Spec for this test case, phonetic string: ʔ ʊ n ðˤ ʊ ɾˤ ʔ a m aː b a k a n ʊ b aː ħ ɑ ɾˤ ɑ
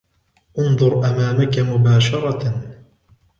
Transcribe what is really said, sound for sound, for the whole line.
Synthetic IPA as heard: ʔ ʊ n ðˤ ʊ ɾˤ ʔ a m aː m a k a m ʊ b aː ʃ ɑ ɾˤ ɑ